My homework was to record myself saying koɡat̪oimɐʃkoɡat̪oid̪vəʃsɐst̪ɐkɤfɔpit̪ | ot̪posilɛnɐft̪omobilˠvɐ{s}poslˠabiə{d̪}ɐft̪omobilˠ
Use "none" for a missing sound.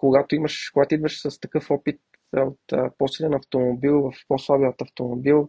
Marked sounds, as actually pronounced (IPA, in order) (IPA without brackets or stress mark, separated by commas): f, t̪